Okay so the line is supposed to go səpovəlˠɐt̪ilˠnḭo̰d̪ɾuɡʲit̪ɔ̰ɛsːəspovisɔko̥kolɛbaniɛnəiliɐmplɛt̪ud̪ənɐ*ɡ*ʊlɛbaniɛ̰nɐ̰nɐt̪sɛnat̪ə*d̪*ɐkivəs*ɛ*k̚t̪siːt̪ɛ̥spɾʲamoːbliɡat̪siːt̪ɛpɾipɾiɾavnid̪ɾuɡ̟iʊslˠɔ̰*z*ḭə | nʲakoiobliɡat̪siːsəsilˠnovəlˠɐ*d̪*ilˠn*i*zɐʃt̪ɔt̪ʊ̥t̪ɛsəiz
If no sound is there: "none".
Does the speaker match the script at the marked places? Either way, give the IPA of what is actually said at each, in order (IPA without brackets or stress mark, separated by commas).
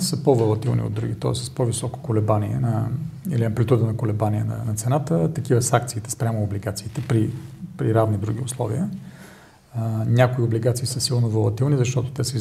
k, t̪, a, v, t̪, i